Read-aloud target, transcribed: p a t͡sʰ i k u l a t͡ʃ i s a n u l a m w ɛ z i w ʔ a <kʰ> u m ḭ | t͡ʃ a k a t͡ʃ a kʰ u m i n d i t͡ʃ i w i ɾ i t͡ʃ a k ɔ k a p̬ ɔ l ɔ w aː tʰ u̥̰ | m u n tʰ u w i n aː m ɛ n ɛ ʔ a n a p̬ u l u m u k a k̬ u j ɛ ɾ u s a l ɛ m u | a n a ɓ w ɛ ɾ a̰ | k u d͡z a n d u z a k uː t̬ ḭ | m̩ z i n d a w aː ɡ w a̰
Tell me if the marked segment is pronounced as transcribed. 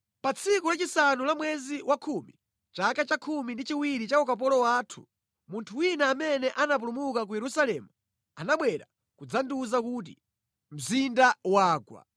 yes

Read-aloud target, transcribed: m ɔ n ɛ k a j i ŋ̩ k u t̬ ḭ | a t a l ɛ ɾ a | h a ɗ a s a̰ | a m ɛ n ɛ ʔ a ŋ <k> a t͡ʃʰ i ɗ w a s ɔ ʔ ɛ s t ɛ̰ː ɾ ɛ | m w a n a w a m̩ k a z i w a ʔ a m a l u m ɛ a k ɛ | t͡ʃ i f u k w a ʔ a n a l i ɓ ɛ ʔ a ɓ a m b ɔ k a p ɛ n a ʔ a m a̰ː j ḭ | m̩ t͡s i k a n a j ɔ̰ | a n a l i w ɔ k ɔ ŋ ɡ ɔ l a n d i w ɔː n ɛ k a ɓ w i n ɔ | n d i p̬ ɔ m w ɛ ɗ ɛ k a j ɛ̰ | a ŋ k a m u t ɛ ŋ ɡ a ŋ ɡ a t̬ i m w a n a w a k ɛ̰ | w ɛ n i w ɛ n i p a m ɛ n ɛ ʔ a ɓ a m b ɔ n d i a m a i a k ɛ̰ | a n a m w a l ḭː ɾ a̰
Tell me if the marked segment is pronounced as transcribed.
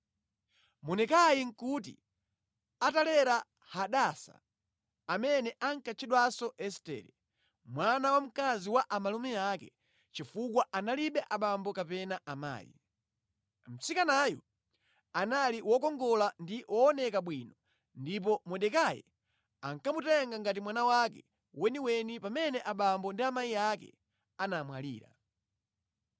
yes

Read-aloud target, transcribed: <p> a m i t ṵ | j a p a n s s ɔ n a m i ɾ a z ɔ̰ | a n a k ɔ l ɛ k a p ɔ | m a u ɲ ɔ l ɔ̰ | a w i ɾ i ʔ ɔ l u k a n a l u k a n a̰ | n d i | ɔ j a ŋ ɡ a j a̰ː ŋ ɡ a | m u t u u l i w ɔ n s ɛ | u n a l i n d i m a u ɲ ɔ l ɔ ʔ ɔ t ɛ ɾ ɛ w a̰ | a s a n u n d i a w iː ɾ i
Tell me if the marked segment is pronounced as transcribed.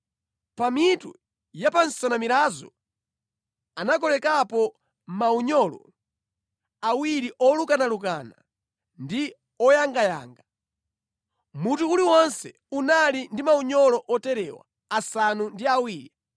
yes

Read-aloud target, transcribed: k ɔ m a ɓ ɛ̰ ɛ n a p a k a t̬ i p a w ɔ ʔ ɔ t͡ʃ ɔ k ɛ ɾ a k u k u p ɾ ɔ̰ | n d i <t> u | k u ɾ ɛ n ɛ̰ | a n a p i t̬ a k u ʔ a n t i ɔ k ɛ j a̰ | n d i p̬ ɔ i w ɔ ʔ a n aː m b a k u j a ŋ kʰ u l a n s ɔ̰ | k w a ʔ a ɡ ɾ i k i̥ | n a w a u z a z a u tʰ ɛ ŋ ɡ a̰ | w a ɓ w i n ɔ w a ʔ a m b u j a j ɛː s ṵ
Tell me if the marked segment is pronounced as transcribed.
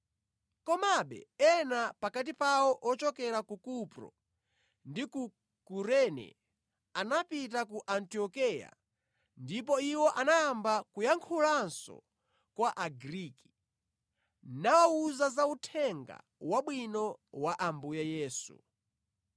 no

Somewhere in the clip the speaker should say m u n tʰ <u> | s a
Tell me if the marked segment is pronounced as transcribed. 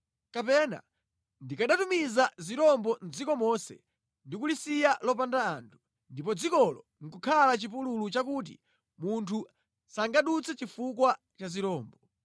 yes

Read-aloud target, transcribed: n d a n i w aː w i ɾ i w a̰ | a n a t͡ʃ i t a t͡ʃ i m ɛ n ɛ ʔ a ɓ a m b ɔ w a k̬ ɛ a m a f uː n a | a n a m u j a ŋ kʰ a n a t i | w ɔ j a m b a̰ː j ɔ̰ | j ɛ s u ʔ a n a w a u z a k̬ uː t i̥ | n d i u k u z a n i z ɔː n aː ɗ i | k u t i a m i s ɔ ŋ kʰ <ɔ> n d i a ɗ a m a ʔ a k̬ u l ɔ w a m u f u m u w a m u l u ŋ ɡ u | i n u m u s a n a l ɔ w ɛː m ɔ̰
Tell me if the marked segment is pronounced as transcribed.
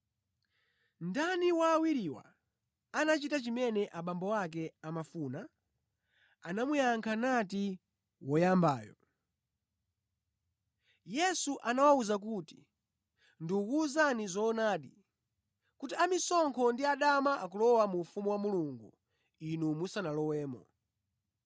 yes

